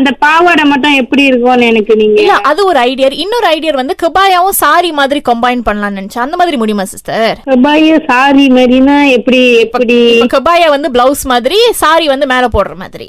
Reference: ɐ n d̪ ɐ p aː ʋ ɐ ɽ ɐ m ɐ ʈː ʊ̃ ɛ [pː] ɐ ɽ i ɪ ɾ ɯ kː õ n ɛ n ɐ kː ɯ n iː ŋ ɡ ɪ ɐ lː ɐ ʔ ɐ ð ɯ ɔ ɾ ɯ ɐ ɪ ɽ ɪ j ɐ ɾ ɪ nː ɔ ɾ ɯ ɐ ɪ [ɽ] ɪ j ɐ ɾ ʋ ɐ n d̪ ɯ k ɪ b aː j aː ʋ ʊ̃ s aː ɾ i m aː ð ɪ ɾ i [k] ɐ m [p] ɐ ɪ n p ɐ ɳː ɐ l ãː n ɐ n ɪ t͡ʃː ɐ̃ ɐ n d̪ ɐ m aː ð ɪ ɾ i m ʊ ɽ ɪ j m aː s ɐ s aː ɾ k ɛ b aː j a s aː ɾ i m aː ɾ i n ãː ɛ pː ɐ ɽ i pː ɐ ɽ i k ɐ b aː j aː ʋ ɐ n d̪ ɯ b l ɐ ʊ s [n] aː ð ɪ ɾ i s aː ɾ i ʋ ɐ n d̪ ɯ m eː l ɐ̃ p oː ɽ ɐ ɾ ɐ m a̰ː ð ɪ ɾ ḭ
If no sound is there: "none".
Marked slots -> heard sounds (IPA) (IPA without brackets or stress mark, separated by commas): pː, ɽ, k, b, m